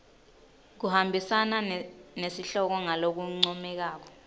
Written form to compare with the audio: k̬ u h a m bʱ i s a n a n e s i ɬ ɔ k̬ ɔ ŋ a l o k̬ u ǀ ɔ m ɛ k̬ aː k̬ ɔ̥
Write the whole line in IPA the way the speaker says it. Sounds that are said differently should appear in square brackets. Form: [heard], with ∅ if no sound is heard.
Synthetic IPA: k̬ u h a m bʱ i s a n a n e s i ɬ ɔ k̬ ɔ ŋ a l o k̬ u [ŋ͡ǀ] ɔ m ɛ k̬ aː k̬ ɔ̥

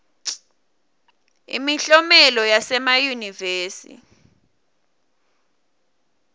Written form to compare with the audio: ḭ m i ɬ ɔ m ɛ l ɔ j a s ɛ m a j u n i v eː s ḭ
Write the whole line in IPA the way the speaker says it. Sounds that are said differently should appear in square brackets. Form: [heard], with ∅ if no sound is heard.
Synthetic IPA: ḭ m i ɬ ɔ m ɛ l ɔ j a s ɛ m a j u n i v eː s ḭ

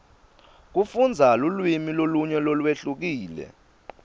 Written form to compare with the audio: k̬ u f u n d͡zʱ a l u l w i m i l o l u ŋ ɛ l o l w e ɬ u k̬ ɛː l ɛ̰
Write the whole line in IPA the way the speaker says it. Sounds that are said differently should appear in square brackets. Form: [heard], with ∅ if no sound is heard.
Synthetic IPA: k̬ u f u n d͡zʱ a l u l w i m i l o l u [ɲ] ɛ l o l w e ɬ u k̬ [iː] l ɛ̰

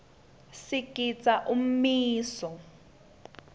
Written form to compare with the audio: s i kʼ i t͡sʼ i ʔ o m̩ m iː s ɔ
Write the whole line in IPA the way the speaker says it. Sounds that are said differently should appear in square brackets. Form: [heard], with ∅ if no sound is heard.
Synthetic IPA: s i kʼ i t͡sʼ [a] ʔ [u] m̩ m iː s ɔ

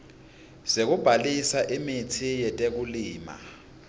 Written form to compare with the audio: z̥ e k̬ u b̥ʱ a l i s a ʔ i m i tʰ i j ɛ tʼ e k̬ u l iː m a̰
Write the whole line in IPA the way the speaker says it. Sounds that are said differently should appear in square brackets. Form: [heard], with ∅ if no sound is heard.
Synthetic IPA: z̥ e k̬ u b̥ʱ a l i s a ʔ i m i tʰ i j ɛ tʼ e k̬ u l iː m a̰

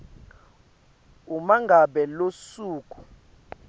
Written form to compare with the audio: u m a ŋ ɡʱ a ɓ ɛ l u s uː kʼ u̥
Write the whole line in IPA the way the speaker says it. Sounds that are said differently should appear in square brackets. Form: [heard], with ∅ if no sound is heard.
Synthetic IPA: u m a ŋ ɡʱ a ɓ ɛ l [o] s uː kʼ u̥

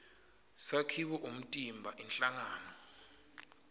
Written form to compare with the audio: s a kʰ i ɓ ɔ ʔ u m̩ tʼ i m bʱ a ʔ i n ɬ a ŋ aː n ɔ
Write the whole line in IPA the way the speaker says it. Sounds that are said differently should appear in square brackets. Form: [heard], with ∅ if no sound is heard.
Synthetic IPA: s a kʰ i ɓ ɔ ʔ u m̩ tʼ i m bʱ a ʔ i n ɬ a ŋ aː n ɔ

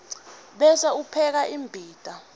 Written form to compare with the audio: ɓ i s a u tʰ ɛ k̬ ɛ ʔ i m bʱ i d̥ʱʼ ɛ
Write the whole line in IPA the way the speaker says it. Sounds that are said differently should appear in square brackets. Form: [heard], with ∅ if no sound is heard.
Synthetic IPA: ɓ [ɛ] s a u [pʰ] ɛ k̬ [a] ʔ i m bʱ [iː] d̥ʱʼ [a]

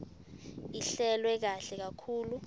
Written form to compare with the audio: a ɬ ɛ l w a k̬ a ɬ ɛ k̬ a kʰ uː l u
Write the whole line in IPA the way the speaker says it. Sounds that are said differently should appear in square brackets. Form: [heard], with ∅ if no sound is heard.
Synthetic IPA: [i] ɬ ɛ l w [ɛ] k̬ a ɬ ɛ k̬ a kʰ uː l u

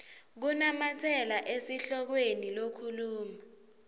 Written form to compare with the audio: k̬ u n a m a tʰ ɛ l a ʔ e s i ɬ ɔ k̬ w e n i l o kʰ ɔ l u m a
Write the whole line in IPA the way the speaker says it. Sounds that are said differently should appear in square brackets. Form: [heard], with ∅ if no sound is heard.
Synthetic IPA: k̬ u n a m a tʰ ɛ l a ʔ e s i ɬ ɔ k̬ w e n i l o kʰ [u] l [uː] m a

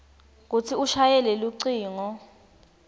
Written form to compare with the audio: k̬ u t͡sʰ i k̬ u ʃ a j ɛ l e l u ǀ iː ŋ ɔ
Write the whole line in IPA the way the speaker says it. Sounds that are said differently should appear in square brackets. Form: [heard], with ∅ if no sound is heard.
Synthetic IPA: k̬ u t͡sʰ i [∅] u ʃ a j ɛ l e l u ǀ iː ŋ ɔ

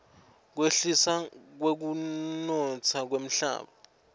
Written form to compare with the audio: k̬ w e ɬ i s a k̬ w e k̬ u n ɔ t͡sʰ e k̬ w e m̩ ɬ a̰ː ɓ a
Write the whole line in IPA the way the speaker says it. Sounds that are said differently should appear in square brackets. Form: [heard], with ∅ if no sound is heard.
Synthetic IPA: k̬ w e ɬ i s a k̬ w e k̬ u n ɔ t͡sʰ [a] k̬ w e m̩ ɬ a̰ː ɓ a

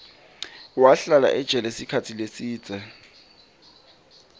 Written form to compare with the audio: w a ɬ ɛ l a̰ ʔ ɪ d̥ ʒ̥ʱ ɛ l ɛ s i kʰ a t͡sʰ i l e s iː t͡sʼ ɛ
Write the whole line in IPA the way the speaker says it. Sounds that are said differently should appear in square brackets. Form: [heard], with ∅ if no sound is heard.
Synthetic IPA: w a ɬ [a] l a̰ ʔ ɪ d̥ ʒ̥ʱ ɛ l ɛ s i kʰ a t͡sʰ i l e s iː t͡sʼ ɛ

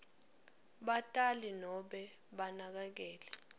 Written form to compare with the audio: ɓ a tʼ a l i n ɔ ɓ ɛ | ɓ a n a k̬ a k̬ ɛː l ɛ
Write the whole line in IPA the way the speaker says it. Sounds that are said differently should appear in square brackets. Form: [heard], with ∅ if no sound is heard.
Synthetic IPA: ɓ a tʼ a l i n ɔ ɓ ɛ | ɓ a n a k̬ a k̬ ɛː l ɛ

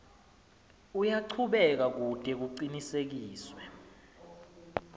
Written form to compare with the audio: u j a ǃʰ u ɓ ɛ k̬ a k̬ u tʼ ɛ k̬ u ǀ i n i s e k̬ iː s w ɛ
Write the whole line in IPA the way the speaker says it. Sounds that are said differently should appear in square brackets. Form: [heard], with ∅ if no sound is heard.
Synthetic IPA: u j a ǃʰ u ɓ ɛ k̬ a k̬ u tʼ ɛ k̬ u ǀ i n i s e k̬ iː s w ɛ

